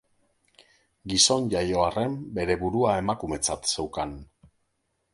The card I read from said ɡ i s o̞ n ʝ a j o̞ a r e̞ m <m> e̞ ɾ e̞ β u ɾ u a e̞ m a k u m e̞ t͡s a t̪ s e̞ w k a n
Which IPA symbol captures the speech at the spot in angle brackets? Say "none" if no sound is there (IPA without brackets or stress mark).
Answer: b